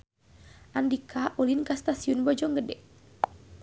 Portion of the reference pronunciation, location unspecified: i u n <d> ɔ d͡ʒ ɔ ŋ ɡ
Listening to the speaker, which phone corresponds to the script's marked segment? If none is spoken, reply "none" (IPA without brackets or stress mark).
b